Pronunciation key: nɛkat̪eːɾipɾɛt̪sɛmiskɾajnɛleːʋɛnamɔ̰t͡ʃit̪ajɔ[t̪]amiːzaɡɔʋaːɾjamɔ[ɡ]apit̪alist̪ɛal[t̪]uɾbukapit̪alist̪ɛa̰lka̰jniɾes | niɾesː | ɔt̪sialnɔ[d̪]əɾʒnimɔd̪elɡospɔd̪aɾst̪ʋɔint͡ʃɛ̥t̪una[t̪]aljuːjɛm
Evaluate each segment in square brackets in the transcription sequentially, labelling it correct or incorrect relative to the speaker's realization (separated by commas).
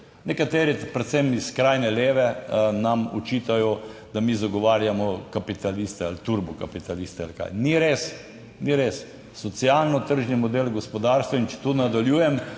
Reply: incorrect, incorrect, correct, incorrect, incorrect